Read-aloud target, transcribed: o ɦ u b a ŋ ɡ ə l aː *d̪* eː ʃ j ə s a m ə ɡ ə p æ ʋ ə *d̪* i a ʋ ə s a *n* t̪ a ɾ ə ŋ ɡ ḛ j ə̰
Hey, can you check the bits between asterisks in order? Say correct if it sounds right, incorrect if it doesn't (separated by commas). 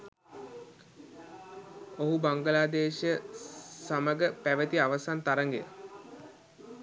correct, incorrect, correct